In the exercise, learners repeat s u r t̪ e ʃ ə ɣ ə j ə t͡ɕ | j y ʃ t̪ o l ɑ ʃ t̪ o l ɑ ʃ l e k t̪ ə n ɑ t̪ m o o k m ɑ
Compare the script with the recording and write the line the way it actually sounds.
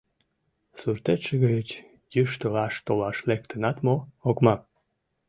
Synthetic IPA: s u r t̪ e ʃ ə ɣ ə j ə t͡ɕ | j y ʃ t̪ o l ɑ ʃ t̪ o l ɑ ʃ l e k t̪ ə n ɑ t̪ m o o k m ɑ